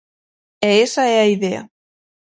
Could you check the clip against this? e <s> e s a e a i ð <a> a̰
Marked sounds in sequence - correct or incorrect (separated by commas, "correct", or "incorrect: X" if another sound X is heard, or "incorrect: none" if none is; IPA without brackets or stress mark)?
incorrect: none, incorrect: e